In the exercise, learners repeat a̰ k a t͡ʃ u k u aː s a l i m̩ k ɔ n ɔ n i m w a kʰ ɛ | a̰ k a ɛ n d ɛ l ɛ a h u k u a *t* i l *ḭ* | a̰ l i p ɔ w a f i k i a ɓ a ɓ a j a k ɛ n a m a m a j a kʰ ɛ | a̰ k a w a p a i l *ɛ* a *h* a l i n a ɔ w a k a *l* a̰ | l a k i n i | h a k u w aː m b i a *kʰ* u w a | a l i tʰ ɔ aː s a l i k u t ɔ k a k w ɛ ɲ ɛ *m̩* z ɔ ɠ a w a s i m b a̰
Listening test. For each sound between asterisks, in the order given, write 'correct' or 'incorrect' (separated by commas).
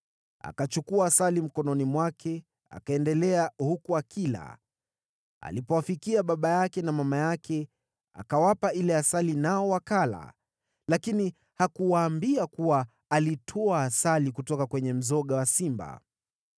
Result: incorrect, incorrect, correct, incorrect, correct, incorrect, correct